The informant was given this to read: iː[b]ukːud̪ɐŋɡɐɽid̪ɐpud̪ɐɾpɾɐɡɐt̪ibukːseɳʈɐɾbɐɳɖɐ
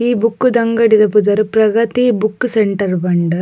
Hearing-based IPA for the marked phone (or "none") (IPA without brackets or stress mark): b